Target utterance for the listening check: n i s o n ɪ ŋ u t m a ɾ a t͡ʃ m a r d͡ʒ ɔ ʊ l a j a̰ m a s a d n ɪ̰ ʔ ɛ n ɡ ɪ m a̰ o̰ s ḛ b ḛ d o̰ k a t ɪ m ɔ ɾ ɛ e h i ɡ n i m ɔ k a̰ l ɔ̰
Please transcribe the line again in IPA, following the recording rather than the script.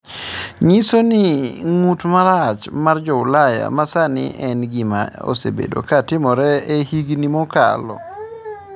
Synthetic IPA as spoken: ɲ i s o n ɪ ŋ u t m a ɾ a t͡ʃ m a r d͡ʒ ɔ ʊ l a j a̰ m a s a n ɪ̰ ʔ ɛ n ɡ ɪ m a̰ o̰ s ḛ b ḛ d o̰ k a t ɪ m ɔ ɾ ɛ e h i ɡ n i m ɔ k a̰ l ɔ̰